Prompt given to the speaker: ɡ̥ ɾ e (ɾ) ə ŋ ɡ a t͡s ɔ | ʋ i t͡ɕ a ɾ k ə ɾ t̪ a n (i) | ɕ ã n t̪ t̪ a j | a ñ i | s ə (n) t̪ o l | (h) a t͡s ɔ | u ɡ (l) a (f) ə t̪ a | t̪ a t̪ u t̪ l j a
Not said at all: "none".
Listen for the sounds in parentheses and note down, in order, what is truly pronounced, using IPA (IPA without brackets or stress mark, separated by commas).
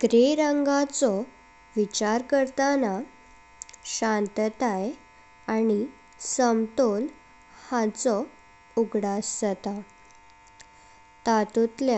ɾ, a, m, h, ɽ, s